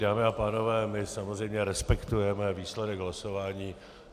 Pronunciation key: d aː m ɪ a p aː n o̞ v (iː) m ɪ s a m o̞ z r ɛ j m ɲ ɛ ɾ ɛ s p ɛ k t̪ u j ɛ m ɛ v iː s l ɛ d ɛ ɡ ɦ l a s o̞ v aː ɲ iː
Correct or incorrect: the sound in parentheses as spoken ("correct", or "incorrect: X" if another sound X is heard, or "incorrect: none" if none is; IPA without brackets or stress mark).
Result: incorrect: ɛː